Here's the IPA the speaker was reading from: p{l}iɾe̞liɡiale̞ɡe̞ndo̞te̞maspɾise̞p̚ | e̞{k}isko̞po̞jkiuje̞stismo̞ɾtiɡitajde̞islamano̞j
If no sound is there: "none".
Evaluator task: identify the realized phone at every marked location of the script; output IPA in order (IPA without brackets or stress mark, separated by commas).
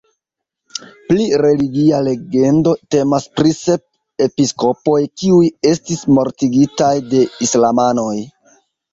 l, p